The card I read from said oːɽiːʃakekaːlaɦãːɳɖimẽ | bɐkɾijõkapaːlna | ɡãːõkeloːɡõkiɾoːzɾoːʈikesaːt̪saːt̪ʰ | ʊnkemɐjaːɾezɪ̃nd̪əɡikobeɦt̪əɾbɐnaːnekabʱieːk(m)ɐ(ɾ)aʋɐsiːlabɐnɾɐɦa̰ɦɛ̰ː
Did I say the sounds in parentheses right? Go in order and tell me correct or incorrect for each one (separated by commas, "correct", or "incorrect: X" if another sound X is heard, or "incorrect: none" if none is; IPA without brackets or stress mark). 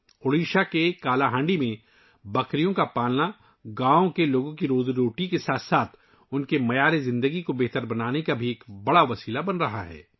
incorrect: b, incorrect: ɽ